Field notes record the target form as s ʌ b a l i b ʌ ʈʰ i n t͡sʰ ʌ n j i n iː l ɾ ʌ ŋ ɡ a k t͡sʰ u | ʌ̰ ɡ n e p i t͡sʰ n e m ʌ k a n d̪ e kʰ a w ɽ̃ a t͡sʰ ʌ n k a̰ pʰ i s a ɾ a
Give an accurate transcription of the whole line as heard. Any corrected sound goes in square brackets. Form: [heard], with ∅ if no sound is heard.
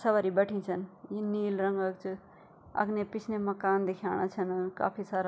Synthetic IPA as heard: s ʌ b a [ɾ] i b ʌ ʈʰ i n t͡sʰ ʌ n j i n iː l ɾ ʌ ŋ ɡ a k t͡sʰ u | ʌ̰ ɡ n e p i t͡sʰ n e m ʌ k a n d̪ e kʰ a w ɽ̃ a t͡sʰ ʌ n k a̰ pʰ i s a ɾ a